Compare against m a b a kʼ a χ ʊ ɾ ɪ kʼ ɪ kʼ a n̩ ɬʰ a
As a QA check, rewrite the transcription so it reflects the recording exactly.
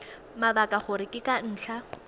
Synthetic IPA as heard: m a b a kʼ a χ ʊ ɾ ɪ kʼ ɪ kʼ a n̩ː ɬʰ a